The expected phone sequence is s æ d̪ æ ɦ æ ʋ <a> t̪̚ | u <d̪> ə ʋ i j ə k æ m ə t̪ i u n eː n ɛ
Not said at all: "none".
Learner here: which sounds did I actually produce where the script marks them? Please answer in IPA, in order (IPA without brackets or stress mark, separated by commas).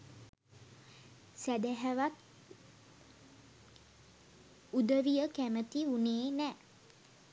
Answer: a, d̪